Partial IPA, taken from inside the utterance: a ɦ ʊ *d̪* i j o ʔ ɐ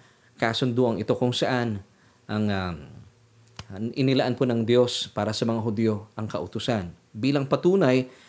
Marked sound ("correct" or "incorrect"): correct